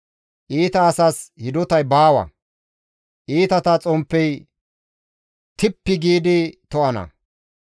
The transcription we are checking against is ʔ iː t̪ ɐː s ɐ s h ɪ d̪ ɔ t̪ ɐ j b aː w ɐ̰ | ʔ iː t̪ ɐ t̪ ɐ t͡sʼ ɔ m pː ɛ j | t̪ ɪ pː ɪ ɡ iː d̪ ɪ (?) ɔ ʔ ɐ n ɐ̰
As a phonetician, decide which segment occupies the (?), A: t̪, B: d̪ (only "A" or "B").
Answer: A